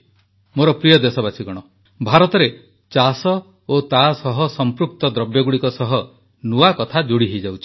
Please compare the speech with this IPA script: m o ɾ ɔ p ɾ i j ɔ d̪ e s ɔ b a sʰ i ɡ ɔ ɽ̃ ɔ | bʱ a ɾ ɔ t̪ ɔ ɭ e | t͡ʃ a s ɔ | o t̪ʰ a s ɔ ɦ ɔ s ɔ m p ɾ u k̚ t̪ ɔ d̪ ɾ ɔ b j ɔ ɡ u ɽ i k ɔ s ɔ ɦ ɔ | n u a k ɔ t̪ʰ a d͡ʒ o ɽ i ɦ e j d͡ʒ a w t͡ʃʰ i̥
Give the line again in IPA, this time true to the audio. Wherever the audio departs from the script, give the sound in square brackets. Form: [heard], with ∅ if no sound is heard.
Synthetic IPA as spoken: m o ɾ ɔ p ɾ i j ɔ d̪ e s ɔ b a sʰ i ɡ ɔ ɽ̃ ɔ | bʱ a ɾ ɔ t̪ ɔ [ɾ] e | t͡ʃ a s ɔ | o [t̪] a s ɔ ɦ ɔ s ɔ m p ɾ u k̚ t̪ ɔ d̪ ɾ ɔ b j ɔ ɡ u ɽ i k ɔ s ɔ ɦ ɔ | n u a k ɔ t̪ʰ a d͡ʒ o ɽ i ɦ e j d͡ʒ a w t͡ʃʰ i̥